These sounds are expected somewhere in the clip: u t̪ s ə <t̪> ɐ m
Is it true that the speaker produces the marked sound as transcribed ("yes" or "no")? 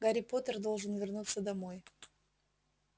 no